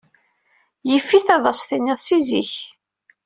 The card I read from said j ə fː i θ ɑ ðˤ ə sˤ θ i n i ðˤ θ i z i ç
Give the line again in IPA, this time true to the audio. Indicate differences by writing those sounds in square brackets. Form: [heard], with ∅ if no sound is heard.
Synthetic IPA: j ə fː i θ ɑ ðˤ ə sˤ θ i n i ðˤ [s] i z i ç